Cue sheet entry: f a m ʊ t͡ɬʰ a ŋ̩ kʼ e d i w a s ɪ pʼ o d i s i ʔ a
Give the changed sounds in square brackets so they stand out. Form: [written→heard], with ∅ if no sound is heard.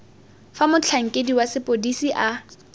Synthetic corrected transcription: f a m ʊ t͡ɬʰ a ŋ̩ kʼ e d i w a s ɪ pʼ o d i s i ʔ a

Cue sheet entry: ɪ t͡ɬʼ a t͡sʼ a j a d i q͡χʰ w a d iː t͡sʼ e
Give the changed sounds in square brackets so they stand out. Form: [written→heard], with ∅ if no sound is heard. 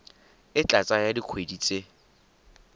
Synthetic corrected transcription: ɪ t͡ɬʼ a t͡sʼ a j a d i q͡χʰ w [a→e] d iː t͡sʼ e

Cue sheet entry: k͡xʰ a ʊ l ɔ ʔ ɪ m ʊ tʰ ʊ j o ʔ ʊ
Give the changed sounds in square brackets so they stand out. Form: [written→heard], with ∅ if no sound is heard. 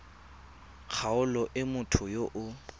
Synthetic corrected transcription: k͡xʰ a ʊ l ɔ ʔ ɪ m ʊ tʰ ʊ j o ʔ ʊ

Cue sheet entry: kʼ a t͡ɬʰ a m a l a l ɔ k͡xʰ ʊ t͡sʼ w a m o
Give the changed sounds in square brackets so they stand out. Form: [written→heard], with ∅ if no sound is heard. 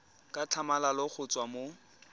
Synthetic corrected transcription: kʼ a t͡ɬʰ a m a l a l ɔ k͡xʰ ʊ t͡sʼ w a m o

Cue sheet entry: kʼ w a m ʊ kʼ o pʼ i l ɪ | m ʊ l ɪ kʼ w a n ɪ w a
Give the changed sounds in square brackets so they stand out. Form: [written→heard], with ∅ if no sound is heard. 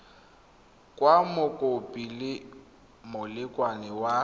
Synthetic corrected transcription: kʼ w a m ʊ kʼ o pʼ i l ɪ | m ʊ l ɪ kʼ w a n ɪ w a

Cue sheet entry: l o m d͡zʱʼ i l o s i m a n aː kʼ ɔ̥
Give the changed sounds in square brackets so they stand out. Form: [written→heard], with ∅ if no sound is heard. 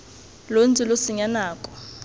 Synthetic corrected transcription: l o [m→n] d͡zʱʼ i l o s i [m→ɲ] a n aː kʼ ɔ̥

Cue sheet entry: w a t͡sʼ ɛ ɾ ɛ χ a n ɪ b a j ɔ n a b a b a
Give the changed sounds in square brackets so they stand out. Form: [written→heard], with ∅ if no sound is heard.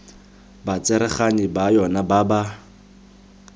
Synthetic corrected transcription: [w→b] a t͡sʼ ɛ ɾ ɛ χ a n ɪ b a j ɔ n a b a b a

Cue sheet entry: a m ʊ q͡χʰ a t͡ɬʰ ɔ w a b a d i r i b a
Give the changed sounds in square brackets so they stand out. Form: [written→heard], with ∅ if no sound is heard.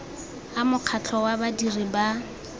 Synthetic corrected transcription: a m ʊ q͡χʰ a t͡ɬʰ ɔ w a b a d i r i b a

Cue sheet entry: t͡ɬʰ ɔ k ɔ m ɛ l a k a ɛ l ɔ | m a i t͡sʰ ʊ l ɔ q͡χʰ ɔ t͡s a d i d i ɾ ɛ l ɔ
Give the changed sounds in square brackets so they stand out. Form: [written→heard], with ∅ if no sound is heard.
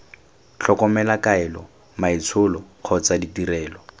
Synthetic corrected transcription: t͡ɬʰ ɔ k ɔ m ɛ l a k a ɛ l ɔ | m a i t͡sʰ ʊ l ɔ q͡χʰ ɔ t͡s a d i [d→t] i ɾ [ɛ→ɛː] l ɔ

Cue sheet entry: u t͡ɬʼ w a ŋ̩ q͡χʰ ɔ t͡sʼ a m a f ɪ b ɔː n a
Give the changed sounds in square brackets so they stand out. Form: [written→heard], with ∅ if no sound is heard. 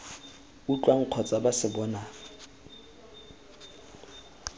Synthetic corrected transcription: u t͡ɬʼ w a ŋ̩ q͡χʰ ɔ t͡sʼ a [m→b] a [f→s] ɪ b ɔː n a

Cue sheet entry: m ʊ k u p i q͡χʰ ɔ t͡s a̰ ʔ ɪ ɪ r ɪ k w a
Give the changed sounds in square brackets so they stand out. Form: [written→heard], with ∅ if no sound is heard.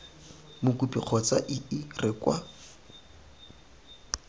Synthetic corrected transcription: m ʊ k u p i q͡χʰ ɔ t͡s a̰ ʔ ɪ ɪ r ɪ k w a

